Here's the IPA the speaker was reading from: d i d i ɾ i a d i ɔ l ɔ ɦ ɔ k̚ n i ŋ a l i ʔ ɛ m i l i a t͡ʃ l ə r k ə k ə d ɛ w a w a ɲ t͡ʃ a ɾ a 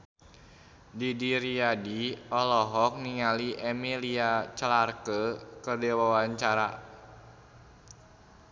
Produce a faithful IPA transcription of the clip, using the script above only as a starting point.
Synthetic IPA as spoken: d i d i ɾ i a d i ɔ l ɔ ɦ ɔ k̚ n i ŋ a l i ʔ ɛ m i l i a t͡ʃ l a r k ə k ə d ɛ w a w a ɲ t͡ʃ a ɾ a